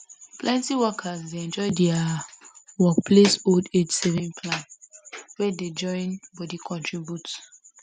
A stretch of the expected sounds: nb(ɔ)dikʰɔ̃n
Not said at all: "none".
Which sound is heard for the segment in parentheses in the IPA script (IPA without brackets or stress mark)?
ɔ